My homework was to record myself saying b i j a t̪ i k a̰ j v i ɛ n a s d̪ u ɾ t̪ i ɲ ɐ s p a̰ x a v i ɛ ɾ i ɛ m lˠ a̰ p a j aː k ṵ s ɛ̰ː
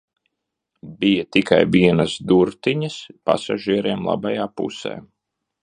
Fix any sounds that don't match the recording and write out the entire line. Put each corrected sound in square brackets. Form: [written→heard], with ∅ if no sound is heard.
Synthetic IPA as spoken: b i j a t̪ i k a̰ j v i ɛ n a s d̪ u ɾ t̪ i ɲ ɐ s p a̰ [x→s] a [v→ʒ] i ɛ ɾ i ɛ m lˠ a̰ [p→b] a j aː [k→p] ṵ s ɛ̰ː

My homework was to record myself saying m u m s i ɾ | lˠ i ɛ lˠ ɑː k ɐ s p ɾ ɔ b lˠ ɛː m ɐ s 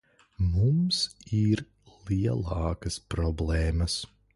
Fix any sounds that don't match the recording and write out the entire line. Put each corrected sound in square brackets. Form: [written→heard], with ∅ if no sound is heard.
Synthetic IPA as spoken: m u m s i ɾ | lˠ i ɛ lˠ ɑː k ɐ s p ɾ ɔ b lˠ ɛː m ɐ s

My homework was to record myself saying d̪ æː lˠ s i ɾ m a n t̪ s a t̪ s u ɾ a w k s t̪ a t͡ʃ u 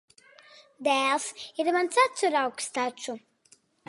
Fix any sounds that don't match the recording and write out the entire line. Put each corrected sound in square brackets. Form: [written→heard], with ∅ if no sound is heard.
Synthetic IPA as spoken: d̪ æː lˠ s i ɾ m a n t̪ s a t̪ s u ɾ a w k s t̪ a t͡ʃ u

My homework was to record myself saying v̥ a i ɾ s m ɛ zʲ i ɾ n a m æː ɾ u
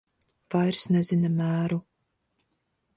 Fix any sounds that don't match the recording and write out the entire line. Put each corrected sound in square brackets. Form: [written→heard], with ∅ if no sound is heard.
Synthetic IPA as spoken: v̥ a [i→j] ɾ s [m→n] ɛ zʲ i [ɾ→∅] n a m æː ɾ u

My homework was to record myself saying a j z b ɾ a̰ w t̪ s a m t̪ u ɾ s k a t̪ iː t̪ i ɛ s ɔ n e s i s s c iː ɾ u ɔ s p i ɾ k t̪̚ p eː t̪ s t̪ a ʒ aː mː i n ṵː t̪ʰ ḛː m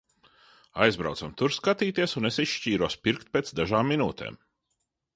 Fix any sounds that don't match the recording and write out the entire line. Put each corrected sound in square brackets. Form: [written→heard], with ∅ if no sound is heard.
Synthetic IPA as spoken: a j z b ɾ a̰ w t̪ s a m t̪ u ɾ s k a t̪ iː t̪ i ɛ s [ɔ→u] n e s i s [s→ʃ] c iː ɾ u ɔ s p i ɾ k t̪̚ p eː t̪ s [t̪→d̪] a ʒ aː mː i n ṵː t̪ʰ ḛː m

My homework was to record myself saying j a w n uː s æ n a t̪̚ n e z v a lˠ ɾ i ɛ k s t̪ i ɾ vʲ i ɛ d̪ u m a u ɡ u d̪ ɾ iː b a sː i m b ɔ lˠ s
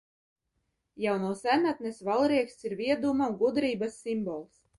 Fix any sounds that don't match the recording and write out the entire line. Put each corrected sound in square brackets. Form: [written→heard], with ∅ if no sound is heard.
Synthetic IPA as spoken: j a w n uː s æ n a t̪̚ n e [z→s] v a lˠ ɾ i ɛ k s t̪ i ɾ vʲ i ɛ d̪ u m a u ɡ u d̪ ɾ iː b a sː i m b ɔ lˠ s

